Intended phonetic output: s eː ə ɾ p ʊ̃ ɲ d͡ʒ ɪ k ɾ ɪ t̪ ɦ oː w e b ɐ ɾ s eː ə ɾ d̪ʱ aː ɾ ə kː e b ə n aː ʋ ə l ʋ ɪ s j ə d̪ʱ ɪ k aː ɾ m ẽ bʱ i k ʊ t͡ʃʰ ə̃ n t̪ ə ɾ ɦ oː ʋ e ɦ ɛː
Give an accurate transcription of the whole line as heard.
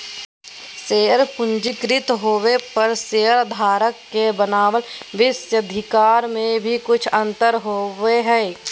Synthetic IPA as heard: s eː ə ɾ p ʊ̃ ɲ d͡ʒ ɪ k ɾ ɪ t̪ ɦ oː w e p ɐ ɾ s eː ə ɾ d̪ʱ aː ɾ ə kː e b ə n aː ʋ ə l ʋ ɪ s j ə d̪ʱ ɪ k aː ɾ m ẽ bʱ i k ʊ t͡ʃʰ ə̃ n t̪ ə ɾ ɦ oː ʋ e ɦ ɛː